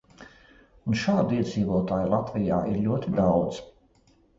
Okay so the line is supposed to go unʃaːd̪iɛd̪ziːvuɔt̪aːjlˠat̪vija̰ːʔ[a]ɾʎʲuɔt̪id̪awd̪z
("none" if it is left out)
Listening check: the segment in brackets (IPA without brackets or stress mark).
i